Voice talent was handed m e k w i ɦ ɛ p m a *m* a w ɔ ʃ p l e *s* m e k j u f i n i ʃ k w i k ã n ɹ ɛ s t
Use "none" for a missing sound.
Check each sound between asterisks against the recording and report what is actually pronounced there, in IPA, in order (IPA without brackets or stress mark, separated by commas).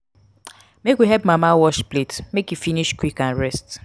m, t